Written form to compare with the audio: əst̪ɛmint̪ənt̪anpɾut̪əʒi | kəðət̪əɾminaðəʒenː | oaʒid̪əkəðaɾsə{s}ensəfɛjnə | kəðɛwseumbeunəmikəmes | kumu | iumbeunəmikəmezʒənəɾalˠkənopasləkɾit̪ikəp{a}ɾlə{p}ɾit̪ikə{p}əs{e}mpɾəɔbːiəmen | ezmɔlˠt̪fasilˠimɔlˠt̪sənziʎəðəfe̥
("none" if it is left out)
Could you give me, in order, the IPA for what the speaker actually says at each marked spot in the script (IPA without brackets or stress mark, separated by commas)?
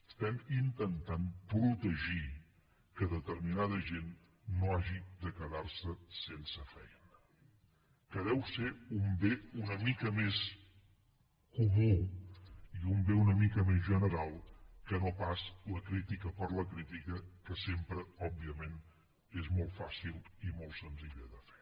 s, ə, k, k, e